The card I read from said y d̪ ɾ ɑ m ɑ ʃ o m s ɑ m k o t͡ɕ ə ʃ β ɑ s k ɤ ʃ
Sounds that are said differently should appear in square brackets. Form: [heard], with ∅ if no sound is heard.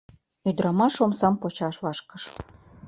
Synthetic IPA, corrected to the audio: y d̪ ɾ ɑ m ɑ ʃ o m s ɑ m [p] o t͡ɕ [ɑ] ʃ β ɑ [ʃ] k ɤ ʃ